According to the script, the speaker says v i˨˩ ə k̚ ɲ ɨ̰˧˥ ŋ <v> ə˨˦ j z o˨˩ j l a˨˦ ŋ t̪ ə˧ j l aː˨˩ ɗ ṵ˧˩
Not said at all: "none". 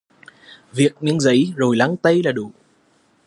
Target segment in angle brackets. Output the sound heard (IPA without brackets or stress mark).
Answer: z